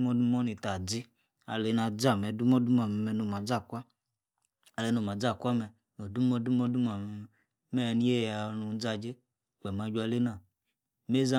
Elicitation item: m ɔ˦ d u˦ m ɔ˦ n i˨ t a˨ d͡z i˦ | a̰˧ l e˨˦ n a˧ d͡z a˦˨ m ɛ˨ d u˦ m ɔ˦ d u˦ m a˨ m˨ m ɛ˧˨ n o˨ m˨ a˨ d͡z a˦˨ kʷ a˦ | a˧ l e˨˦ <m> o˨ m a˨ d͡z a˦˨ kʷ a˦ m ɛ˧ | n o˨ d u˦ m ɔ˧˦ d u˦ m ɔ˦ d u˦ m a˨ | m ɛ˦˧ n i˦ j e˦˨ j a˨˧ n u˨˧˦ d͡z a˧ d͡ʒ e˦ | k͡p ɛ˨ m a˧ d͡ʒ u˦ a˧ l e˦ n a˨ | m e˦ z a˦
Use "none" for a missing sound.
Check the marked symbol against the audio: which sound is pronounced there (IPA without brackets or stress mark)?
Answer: n